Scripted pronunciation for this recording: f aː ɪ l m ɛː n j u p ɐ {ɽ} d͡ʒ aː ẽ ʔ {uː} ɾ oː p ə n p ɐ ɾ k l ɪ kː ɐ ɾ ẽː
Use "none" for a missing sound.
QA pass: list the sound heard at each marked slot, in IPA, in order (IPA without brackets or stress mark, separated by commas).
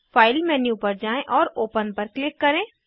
ɾ, ɔː